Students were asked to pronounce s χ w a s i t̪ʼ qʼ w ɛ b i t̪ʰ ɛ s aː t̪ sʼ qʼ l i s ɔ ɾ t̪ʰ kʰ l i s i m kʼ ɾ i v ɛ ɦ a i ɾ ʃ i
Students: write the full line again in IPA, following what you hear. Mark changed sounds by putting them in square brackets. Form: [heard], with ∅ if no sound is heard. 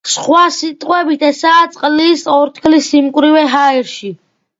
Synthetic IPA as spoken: s χ w a s i t̪ʼ qʼ w ɛ b i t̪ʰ ɛ s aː t̪ sʼ qʼ l i s ɔ ɾ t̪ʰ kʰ l i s i m kʼ ɾ i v ɛ ɦ a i ɾ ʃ i